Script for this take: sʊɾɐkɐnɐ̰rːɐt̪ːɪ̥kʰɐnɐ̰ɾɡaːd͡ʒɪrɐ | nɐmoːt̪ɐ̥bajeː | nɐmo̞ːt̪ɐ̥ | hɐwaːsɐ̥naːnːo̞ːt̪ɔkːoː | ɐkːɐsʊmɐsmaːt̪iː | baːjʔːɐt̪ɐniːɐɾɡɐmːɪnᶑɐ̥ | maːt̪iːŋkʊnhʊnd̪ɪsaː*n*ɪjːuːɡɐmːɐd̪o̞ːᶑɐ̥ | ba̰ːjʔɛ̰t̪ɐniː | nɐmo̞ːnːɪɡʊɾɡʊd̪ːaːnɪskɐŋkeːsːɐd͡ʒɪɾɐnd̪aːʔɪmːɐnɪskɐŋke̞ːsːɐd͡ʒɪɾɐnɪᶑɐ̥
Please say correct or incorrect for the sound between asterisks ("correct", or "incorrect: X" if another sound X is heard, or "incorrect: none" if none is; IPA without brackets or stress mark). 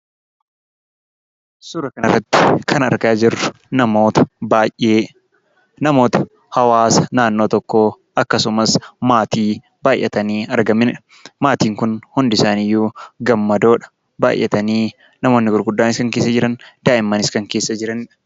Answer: correct